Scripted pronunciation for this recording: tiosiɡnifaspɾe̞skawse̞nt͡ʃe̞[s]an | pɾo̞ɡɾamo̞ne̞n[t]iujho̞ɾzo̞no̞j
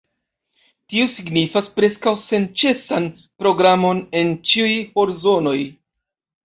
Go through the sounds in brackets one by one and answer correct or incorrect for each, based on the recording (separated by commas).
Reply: correct, incorrect